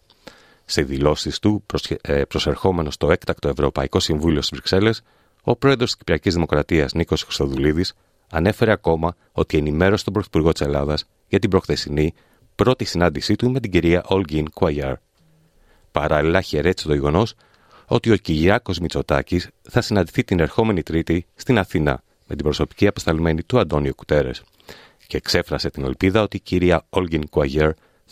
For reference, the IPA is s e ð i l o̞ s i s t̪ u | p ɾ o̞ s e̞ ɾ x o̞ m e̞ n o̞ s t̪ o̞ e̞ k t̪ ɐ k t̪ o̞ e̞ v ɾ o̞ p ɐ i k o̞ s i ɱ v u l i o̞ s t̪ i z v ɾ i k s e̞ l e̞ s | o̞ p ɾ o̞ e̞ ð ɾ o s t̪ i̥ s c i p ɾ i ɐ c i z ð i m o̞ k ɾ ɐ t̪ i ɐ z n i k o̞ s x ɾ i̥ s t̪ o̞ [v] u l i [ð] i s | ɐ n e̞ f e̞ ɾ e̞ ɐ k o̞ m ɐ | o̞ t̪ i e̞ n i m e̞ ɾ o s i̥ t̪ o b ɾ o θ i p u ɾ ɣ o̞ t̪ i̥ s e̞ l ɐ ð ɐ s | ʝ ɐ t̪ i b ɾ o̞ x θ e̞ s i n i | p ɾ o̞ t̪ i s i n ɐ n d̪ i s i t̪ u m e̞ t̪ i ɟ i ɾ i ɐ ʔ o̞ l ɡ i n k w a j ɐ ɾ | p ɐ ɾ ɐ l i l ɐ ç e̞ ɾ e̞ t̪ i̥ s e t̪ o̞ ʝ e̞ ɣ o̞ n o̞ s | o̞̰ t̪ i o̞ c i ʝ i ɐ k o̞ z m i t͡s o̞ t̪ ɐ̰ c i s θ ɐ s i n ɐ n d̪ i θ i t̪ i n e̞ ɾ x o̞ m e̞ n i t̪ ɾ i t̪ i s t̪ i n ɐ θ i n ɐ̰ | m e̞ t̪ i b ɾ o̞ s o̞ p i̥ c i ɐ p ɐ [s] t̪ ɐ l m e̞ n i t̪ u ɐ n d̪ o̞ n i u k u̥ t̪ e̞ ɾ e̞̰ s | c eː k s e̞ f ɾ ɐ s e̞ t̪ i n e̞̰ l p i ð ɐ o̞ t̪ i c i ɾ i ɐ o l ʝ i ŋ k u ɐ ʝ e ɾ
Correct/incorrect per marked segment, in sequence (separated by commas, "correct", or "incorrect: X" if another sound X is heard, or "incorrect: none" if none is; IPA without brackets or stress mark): incorrect: ð, correct, correct